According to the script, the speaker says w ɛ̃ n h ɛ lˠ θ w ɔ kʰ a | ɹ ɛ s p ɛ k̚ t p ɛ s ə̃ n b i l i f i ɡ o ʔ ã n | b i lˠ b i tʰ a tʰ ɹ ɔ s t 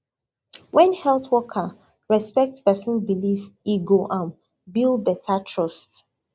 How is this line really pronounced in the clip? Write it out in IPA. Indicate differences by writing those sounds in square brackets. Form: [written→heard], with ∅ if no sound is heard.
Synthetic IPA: w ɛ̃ n h ɛ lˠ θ w ɔ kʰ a | ɹ ɛ s p ɛ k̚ t p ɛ s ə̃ n b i l i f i ɡ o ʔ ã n | b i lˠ b [i→ɛ] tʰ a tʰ ɹ ɔ s t